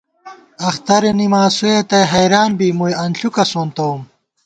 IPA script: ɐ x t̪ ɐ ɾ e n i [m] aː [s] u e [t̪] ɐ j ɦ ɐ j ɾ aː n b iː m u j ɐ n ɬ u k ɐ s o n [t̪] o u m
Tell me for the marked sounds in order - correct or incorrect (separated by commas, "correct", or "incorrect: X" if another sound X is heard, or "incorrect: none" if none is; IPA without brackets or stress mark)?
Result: correct, correct, correct, correct